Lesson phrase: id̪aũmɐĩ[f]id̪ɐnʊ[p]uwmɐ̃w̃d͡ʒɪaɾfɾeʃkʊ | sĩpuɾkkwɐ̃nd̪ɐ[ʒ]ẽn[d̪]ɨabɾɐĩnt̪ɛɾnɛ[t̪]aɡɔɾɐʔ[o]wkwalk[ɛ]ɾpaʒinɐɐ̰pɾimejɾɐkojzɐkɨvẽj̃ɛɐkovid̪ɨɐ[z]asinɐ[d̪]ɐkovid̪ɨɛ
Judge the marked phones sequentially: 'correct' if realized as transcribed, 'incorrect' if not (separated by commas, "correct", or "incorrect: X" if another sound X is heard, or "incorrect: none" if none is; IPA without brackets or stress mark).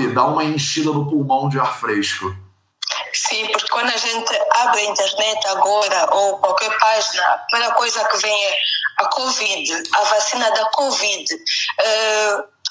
incorrect: ʃ, correct, correct, incorrect: t̪, correct, correct, correct, incorrect: v, correct